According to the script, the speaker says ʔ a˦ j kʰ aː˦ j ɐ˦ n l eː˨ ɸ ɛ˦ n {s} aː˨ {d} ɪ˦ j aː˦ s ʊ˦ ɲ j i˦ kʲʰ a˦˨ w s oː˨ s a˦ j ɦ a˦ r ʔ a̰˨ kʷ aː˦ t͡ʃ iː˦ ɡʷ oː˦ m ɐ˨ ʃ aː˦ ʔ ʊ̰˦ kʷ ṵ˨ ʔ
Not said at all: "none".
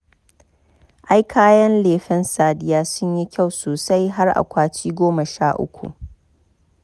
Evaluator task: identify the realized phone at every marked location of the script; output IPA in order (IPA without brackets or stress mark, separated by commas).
s, d